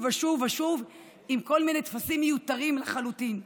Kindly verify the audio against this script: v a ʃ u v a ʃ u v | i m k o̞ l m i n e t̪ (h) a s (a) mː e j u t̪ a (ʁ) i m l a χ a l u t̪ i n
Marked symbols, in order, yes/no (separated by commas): no, no, yes